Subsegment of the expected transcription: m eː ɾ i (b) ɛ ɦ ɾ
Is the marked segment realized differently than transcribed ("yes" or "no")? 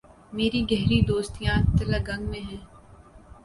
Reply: yes